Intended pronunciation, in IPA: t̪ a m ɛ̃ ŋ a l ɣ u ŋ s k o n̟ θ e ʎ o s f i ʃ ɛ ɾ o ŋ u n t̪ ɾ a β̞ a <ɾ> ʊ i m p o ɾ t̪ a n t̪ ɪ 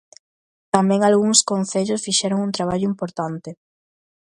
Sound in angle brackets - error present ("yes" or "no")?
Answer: yes